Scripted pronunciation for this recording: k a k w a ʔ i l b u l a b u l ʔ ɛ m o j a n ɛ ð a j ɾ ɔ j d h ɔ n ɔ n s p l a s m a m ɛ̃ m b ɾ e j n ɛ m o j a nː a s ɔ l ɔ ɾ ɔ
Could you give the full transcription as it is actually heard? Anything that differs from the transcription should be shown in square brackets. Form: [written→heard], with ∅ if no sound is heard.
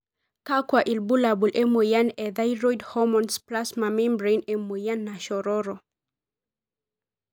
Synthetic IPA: k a k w a ʔ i l b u l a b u l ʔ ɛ m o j a n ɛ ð a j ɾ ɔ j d h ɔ [n→m] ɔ n s p l a s m a m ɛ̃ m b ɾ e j n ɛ m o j a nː a [s→ʃ] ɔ [l→ɾ] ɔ ɾ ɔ